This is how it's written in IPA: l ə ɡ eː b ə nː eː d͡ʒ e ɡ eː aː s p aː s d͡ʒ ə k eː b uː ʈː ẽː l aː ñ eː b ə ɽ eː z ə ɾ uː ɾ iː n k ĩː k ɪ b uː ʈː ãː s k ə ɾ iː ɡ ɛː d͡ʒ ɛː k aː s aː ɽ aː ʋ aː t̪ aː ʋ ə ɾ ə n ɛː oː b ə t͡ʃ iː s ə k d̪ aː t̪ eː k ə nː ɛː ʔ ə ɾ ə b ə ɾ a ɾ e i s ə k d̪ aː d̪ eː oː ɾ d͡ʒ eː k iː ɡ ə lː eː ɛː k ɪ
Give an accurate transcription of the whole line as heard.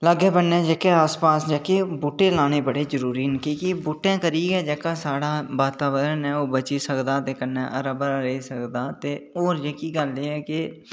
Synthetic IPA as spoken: l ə ɡ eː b ə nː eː d͡ʒ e k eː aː s p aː s d͡ʒ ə k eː b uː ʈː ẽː l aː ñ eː b ə ɽ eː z ə ɾ uː ɾ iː n k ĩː k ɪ b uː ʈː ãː k ə ɾ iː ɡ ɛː d͡ʒ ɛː k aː s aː ɽ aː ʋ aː t̪ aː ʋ ə ɾ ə n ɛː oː b ə t͡ʃ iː s ə k d̪ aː t̪ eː k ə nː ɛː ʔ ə ɾ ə b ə ɾ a ɾ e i s ə k d̪ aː t̪ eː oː ɾ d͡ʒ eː k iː ɡ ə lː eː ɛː k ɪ